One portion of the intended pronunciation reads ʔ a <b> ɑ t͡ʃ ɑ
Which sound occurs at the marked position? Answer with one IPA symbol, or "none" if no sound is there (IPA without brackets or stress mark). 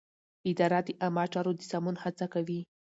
m